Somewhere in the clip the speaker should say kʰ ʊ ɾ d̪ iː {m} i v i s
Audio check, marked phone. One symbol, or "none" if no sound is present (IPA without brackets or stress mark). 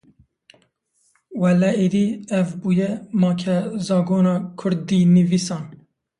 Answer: n